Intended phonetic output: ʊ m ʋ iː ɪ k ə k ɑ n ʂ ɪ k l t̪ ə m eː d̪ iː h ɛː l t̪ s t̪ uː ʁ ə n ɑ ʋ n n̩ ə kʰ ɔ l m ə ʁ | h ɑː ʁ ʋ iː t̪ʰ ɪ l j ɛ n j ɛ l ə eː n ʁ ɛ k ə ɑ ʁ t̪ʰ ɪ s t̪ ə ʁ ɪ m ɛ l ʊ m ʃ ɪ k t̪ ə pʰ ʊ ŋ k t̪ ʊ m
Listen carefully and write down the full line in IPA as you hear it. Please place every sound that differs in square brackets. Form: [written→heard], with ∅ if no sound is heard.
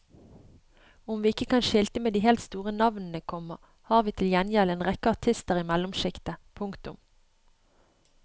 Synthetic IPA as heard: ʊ m ʋ iː ɪ k ə k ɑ n [ʂ→ʃ] ɪ [k→∅] l t̪ ə m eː d̪ iː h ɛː l t̪ s t̪ uː ʁ ə n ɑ ʋ n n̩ ə kʰ ɔ [l→∅] m ə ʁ | h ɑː ʁ ʋ iː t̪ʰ ɪ l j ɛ n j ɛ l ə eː n ʁ ɛ k ə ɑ ʁ t̪ʰ ɪ s t̪ ə ʁ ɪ m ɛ l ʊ m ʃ ɪ k t̪ ə pʰ ʊ ŋ k t̪ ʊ m

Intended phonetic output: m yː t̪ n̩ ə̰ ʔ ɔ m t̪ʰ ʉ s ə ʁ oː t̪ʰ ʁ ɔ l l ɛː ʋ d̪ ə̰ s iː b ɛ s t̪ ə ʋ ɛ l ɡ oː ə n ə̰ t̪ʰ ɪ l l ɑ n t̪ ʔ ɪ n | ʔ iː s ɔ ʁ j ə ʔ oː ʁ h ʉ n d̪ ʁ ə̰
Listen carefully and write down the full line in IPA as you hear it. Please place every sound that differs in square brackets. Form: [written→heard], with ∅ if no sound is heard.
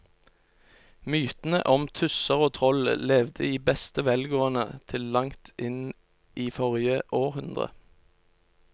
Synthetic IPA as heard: m yː t̪ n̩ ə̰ ʔ ɔ m t̪ʰ ʉ s ə ʁ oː t̪ʰ ʁ ɔ l l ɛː ʋ d̪ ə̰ [s→∅] iː b ɛ s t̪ ə ʋ ɛ l ɡ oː ə n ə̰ t̪ʰ ɪ l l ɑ [n→ŋ] t̪ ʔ ɪ n | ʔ iː [s→f] ɔ ʁ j ə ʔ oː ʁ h ʉ n d̪ ʁ ə̰

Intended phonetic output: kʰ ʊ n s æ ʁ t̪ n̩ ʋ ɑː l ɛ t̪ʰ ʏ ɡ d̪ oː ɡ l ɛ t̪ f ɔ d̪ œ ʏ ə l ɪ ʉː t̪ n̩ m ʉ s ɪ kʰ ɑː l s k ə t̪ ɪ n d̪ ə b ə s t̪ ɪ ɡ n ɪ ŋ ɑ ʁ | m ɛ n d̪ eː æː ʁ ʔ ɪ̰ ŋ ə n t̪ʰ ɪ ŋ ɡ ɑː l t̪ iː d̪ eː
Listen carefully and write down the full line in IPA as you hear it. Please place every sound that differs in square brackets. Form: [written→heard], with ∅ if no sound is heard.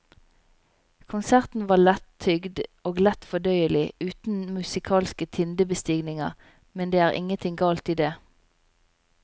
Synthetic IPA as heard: kʰ ʊ n s æ ʁ t̪ n̩ ʋ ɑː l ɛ t̪ʰ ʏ ɡ d̪ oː ɡ l ɛ t̪ f ɔ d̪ œ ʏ ə l ɪ ʉː t̪ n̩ m ʉ s ɪ kʰ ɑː l s k ə [t̪→t̪ʰ] ɪ n d̪ ə b ə s t̪ ɪ ɡ n ɪ ŋ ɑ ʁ | m ɛ n d̪ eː æː ʁ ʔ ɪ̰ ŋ ə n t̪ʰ ɪ ŋ ɡ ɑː l t̪ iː d̪ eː

